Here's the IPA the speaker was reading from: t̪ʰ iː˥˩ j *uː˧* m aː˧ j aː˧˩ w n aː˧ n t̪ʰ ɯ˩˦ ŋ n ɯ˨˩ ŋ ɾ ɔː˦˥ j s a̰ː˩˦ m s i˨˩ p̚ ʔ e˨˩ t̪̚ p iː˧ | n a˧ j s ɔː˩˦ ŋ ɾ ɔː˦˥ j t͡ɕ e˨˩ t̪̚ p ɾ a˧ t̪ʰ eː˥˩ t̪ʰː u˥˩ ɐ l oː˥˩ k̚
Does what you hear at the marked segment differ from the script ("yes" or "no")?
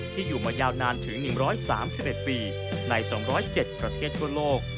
yes